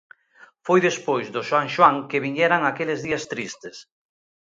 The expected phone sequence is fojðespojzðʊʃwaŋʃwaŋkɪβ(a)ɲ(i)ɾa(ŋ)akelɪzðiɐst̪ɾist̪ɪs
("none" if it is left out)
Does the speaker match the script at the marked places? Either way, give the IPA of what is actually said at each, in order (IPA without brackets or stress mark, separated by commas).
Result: i, ɛ, ŋ